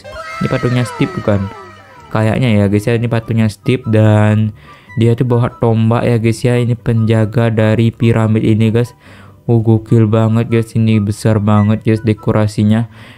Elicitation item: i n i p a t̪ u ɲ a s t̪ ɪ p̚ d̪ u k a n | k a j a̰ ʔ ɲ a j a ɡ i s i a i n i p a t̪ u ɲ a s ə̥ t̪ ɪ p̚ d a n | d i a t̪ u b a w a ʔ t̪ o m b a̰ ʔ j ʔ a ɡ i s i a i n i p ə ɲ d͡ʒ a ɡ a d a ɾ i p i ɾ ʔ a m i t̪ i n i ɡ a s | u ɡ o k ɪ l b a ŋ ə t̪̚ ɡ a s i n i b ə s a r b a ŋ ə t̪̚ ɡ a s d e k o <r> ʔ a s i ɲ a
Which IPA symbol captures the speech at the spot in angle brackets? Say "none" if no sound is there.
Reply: ɾ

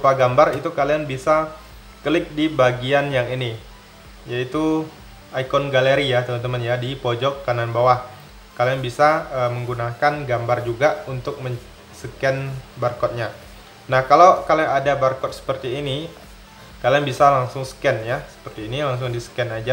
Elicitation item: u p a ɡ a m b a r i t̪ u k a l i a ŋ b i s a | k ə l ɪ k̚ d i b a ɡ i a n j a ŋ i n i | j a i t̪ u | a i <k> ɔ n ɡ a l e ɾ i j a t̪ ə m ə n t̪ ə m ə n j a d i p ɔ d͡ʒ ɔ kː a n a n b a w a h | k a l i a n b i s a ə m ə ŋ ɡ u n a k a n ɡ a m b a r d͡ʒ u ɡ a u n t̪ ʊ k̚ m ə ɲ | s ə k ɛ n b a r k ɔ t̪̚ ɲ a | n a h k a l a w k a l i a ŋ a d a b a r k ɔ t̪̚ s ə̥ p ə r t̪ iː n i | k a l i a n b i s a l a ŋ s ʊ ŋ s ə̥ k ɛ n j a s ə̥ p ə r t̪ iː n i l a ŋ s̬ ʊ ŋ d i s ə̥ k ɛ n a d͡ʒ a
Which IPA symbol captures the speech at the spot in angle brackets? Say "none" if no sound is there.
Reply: k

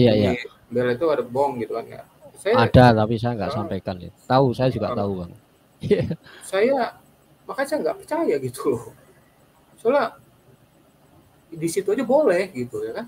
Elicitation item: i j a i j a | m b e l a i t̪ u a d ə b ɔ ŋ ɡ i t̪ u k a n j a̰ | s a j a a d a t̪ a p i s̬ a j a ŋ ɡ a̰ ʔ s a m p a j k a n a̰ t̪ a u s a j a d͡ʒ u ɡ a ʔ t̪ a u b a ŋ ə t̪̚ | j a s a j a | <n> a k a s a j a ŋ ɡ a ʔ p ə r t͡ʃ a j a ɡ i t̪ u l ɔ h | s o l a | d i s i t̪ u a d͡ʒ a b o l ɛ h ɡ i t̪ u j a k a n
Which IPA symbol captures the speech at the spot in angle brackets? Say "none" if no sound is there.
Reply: m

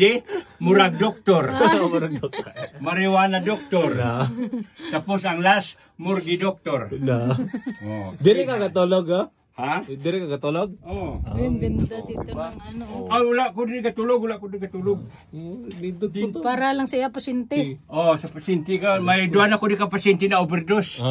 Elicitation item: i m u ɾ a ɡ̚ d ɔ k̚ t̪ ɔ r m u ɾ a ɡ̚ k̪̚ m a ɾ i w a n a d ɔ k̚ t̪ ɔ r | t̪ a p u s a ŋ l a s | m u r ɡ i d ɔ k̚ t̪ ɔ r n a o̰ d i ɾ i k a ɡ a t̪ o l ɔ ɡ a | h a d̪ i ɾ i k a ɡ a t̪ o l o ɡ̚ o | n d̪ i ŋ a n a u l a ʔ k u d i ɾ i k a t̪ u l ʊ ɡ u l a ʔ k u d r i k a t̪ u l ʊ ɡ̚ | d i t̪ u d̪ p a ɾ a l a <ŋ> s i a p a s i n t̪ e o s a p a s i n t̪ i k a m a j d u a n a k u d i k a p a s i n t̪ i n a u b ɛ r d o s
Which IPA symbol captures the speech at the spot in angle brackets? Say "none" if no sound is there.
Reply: ŋ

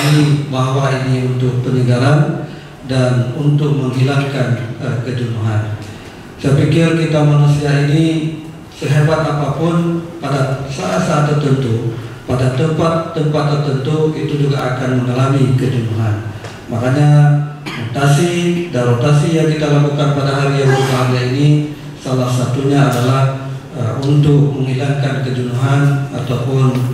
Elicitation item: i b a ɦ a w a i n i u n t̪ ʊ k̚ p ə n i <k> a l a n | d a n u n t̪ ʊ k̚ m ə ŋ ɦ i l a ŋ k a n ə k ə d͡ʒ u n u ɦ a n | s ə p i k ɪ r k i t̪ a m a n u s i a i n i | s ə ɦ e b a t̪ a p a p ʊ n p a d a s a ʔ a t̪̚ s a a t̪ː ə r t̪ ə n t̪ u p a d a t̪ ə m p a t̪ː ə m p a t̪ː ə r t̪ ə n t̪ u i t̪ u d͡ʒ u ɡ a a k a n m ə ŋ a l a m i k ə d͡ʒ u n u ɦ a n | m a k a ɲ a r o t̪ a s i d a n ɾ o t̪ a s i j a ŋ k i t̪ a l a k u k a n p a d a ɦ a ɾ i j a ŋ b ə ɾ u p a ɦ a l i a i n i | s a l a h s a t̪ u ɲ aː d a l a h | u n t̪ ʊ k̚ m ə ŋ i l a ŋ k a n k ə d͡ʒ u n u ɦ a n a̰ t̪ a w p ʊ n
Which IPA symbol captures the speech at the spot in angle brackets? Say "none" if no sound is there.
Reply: ɡ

